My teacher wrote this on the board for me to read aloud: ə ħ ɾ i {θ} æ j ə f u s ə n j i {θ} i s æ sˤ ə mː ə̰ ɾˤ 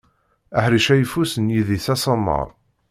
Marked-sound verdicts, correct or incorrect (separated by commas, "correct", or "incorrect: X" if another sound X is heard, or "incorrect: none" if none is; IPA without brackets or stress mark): incorrect: ʃ, incorrect: ð